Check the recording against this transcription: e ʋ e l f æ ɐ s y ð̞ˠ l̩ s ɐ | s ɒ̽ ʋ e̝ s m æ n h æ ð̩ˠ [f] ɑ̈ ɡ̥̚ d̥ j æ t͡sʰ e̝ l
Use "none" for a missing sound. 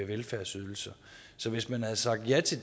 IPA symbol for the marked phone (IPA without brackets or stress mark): s